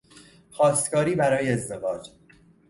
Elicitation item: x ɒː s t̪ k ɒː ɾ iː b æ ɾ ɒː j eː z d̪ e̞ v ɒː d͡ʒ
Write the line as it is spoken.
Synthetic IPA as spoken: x ɒː s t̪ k ɒː ɾ iː b æ ɾ ɒː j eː z d̪ e̞ v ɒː d͡ʒ